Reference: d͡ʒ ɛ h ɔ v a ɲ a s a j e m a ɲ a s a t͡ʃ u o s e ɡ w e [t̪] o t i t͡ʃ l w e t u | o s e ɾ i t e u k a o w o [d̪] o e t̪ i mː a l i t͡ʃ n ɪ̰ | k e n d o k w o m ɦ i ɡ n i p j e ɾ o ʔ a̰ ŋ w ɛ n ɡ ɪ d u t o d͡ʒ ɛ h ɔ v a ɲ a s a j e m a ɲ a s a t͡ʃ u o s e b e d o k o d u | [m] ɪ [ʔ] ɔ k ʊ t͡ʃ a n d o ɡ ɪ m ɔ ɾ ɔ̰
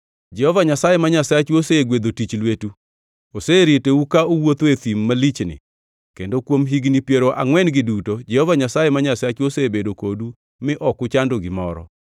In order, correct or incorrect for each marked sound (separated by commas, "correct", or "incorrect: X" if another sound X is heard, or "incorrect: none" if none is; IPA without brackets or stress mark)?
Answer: incorrect: d̪, incorrect: t̪, correct, correct